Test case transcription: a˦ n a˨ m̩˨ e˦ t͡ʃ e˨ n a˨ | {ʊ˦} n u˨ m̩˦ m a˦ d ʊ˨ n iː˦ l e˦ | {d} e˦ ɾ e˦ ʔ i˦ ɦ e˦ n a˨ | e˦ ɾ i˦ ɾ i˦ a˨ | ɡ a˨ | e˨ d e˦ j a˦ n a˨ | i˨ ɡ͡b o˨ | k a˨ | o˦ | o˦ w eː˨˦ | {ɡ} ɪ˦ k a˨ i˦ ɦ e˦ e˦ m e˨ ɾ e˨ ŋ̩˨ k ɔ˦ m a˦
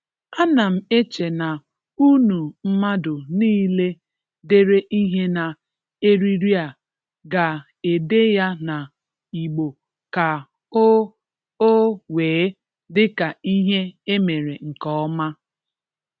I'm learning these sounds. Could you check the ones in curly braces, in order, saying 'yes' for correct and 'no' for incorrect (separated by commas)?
no, yes, no